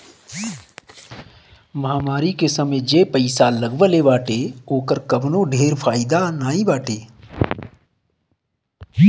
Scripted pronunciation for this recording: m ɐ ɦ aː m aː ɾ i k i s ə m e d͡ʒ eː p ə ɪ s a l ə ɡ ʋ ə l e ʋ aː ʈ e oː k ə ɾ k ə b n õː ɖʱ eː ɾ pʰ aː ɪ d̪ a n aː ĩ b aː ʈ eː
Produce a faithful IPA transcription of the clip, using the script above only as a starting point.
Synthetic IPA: m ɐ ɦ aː m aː ɾ i k e s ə m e d͡ʒ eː p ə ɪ s a l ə ɡ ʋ ə l e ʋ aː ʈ e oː k ə ɾ k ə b n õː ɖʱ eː ɾ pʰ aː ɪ d̪ a n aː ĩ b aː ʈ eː